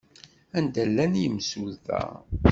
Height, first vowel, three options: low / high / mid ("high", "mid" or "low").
low